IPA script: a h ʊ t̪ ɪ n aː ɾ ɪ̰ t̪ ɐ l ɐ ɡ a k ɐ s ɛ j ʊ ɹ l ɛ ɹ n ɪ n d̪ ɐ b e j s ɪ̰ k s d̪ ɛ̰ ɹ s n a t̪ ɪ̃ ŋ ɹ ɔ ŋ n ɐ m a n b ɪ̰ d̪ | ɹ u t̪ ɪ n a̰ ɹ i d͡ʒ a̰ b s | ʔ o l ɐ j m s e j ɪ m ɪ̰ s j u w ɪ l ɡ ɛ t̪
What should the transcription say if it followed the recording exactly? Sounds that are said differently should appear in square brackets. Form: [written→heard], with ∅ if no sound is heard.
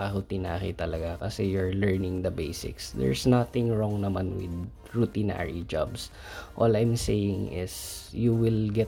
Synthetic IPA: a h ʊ t̪ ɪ n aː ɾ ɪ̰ t̪ ɐ l ɐ ɡ a k ɐ s ɛ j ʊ ɹ l ɛ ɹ n ɪ [n→ŋ] d̪ ɐ b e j s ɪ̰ k s d̪ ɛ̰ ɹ s n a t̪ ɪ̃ ŋ ɹ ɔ ŋ n ɐ m a n [b→w] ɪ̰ d̪ | ɹ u t̪ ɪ n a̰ ɹ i d͡ʒ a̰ b s | ʔ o l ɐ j m s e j ɪ [m→ŋ] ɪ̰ s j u w ɪ l ɡ ɛ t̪